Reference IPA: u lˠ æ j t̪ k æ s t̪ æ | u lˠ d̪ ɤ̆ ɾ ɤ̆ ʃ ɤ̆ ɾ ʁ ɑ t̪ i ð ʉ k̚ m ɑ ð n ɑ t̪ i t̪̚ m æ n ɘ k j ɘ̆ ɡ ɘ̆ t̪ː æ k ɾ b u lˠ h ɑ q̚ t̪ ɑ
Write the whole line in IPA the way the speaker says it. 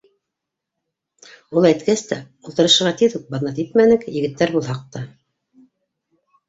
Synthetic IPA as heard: u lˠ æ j t̪ k æ s t̪ æ | u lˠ t̪ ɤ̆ ɾ ɤ̆ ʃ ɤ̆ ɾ ʁ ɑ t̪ i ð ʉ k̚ b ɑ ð n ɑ t̪ i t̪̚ m æ n ɘ k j ɘ̆ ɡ ɘ̆ t̪ː æ ɾ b u lˠ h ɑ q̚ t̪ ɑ